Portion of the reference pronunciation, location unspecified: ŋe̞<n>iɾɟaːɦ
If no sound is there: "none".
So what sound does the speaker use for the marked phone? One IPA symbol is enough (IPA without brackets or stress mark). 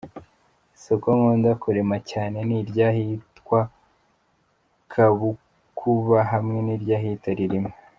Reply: n